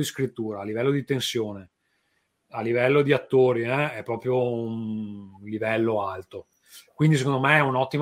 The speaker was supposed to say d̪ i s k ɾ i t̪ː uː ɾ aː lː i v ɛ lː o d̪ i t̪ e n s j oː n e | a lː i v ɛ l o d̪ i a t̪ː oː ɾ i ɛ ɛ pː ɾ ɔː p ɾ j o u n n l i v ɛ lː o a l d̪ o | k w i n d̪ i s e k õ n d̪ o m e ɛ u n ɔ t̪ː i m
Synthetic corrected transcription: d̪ i s k ɾ i t̪ː uː ɾ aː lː i v ɛ lː o d̪ i t̪ e n s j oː n e | a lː i v ɛ lː o d̪ i a t̪ː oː ɾ i ɛ ɛ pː ɾ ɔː p ɾ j o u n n l i v ɛ lː o a l t̪ o | k w i n d̪ i s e k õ n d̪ o m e ɛ u n ɔ t̪ː i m